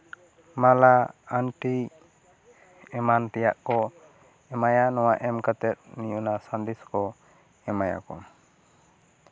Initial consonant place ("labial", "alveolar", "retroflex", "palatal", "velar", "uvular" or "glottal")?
labial